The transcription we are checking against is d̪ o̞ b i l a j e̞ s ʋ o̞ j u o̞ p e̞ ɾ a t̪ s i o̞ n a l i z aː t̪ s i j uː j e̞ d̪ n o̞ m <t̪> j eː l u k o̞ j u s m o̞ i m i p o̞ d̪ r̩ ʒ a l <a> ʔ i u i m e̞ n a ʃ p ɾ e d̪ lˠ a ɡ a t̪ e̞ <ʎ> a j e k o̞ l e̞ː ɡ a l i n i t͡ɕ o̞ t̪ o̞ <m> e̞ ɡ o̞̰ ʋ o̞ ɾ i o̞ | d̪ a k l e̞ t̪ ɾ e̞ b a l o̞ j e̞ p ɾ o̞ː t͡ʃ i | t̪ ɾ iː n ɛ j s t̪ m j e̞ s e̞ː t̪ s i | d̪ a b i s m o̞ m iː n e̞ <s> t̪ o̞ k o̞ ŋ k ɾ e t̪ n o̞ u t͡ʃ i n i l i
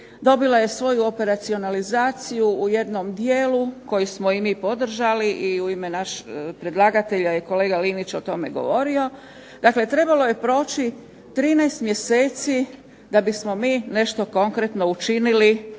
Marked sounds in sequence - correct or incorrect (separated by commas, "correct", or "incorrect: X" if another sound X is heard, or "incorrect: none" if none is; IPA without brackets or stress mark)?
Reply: incorrect: d̪, incorrect: i, correct, correct, incorrect: ʃ